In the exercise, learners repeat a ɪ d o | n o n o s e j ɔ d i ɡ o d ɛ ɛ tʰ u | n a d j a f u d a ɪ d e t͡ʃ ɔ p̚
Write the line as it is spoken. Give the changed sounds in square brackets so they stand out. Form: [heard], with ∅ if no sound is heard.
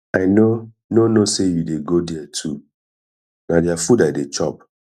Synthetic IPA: a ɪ [n] o | n o n o s e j [u] d [e] ɡ o d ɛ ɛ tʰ u | n a d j a f u d a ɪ d e t͡ʃ ɔ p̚

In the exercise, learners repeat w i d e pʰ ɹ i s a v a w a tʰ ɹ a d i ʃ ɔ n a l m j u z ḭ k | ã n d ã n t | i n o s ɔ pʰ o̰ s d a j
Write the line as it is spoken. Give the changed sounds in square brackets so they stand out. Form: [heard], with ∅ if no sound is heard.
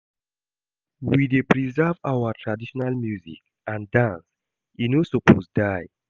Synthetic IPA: w i d e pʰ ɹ i [z] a v a w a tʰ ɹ a d i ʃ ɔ n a l m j u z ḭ k | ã n d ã n [s] | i n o s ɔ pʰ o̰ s d a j

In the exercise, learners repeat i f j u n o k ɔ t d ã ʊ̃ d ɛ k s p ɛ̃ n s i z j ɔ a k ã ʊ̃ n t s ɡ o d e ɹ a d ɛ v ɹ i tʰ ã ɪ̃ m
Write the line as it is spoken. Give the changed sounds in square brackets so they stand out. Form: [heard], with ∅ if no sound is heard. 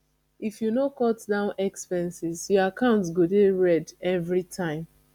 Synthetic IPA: i f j u n o k ɔ t d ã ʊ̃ [n] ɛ k s p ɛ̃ n s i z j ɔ a k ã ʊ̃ n t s ɡ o d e ɹ [ɛ] d ɛ v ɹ i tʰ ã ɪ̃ m

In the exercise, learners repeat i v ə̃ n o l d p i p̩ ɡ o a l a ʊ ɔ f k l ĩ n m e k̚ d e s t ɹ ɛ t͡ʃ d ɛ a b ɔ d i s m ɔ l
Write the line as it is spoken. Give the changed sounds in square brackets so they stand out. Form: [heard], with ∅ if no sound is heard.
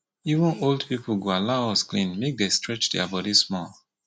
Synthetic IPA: i v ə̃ n o l d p i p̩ ɡ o a l a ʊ ɔ [s] k l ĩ n m e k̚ d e s t ɹ ɛ t͡ʃ d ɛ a b ɔ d i s m ɔ l

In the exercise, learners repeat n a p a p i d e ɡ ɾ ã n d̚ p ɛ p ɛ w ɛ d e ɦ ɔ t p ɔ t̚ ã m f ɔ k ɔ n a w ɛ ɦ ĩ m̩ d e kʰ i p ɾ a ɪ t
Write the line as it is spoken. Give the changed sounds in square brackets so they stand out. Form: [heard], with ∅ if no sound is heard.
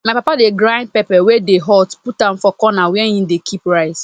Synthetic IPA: [m] a p a p [a] d e ɡ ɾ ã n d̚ p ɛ p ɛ w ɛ d e ɦ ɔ t p [u] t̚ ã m f ɔ k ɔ n a w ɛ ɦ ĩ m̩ d e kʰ i p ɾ a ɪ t

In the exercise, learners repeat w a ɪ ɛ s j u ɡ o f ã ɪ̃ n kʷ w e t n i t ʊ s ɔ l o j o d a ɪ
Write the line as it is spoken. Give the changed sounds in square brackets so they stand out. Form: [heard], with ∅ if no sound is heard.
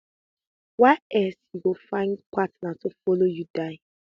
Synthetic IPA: w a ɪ ɛ s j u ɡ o f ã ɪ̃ n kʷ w [a] t n [a] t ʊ [f] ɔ l o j [u] d a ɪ

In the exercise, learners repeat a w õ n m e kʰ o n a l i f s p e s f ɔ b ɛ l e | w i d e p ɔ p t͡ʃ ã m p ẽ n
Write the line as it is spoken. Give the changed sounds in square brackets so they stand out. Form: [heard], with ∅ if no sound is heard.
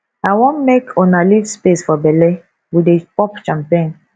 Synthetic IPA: a w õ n m e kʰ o n a l i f s p e s f ɔ b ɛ l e | w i d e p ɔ p t͡ʃ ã m p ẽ n

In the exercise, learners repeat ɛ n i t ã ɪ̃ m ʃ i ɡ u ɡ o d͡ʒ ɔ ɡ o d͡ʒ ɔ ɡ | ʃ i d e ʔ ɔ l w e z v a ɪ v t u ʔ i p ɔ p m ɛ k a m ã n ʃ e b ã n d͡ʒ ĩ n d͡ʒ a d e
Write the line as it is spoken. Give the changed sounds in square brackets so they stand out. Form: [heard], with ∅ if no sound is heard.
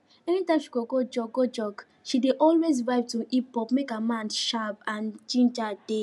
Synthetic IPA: ɛ n i t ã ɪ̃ m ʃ i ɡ [o] ɡ o d͡ʒ ɔ ɡ o d͡ʒ ɔ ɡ | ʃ i d e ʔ ɔ l w e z v a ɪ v t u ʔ i p ɔ p m [e] k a m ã n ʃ [a] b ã n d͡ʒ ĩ n d͡ʒ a d e

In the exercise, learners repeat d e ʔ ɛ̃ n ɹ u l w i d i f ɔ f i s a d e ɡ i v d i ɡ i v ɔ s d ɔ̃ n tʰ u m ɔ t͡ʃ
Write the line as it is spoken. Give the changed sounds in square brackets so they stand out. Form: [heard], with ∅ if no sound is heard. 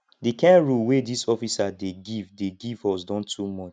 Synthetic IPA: d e [k] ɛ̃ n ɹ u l w [e] d i [s] ɔ f i s a d e ɡ i v d [e] ɡ i v ɔ s d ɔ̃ n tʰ u m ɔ t͡ʃ

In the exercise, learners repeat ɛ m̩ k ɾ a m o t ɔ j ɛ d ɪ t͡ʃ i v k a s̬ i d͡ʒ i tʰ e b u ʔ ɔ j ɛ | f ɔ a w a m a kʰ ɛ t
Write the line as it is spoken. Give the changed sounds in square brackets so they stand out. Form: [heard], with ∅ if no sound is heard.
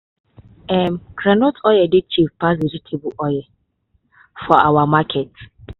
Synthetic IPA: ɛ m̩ k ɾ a [n] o t ɔ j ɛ d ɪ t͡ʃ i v [p] a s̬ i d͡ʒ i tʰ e b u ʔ ɔ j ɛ | f ɔ a w a m a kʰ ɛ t

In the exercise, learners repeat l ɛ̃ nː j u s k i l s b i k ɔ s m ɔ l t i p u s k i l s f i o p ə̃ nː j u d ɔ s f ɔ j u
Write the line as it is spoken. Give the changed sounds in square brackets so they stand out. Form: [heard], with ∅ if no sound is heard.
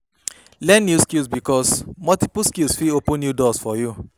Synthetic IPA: l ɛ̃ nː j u s k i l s b i k ɔ s m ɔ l t i p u s k i l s f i o p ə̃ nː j u d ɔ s f ɔ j u

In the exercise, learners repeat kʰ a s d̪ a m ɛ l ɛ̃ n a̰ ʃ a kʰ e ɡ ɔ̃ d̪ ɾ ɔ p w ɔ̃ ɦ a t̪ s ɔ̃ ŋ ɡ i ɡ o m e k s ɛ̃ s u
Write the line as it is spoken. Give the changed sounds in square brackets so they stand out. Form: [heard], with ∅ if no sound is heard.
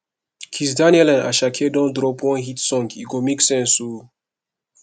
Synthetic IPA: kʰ [i] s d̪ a [n] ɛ l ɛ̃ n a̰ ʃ a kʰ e [d] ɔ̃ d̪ ɾ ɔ p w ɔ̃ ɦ [i] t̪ s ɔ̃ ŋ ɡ i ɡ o m [i] k s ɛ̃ s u

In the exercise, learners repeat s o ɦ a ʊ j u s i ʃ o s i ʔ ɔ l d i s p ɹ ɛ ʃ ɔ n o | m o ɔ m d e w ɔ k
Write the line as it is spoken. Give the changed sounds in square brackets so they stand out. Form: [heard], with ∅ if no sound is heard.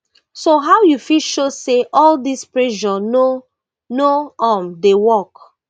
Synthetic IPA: s o ɦ a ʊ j u [f] i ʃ o s [e] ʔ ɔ l d i s p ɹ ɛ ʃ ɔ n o | [n] o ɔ m d e w ɔ k

